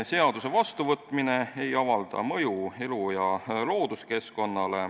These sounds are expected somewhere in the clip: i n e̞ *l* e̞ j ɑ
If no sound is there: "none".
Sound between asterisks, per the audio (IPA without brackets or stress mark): none